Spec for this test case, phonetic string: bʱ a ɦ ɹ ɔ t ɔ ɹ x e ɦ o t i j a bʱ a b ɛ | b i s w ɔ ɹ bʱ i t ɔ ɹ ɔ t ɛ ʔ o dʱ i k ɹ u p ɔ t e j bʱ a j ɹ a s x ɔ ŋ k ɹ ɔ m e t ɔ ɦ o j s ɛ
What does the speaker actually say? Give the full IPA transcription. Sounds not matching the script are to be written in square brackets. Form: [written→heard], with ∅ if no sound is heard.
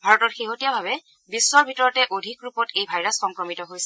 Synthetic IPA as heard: bʱ a [ɦ→∅] ɹ ɔ t ɔ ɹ x e ɦ o t i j a bʱ a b ɛ | b i s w ɔ ɹ bʱ i t ɔ ɹ ɔ t ɛ ʔ o dʱ i k ɹ u p ɔ t e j bʱ a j ɹ a s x ɔ ŋ k ɹ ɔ m [e→i] t ɔ ɦ o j s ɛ